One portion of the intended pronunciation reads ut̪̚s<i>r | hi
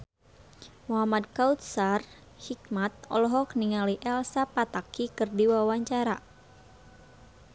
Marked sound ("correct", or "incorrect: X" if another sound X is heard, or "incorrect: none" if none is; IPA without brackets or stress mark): incorrect: a